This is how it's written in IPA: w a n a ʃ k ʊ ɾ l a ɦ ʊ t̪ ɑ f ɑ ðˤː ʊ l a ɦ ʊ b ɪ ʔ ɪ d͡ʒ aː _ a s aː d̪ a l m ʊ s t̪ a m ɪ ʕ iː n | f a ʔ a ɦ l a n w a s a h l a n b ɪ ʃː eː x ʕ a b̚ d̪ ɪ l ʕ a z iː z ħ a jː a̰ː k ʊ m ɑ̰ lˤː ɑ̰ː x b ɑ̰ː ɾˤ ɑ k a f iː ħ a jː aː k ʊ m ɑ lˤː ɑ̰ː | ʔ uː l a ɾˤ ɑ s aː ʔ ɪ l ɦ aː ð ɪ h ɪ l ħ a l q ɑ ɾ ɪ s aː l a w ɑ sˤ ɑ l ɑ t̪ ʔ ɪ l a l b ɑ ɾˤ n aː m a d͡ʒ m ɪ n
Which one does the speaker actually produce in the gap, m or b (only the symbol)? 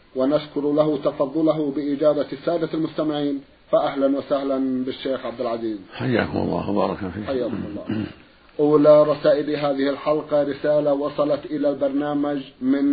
b